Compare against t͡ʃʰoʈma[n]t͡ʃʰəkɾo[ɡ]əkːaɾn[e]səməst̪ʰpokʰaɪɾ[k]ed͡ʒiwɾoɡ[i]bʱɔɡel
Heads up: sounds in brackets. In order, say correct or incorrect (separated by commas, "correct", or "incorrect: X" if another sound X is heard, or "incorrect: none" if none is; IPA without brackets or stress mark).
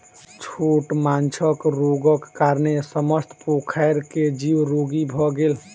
correct, correct, correct, correct, correct